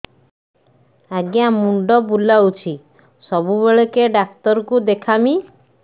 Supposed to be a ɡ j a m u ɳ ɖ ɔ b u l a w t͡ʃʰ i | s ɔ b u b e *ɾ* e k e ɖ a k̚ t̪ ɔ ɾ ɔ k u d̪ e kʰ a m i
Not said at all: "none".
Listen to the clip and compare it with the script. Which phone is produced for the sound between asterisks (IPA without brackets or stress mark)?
ɭ